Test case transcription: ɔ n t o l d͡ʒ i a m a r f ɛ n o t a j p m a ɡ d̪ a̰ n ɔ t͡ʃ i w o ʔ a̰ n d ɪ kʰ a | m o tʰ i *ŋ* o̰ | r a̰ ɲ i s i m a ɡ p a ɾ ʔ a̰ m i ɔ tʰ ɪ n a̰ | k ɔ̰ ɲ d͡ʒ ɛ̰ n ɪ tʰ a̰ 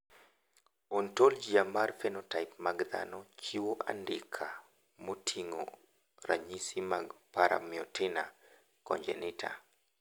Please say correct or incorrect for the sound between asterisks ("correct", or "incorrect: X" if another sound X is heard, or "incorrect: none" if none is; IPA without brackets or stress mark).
correct